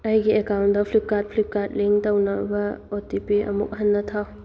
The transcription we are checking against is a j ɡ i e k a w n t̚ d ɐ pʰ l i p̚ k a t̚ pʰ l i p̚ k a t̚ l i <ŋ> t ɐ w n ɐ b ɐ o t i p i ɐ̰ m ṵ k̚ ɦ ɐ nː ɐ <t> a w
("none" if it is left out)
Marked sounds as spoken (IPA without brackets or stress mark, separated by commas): ŋ, tʰ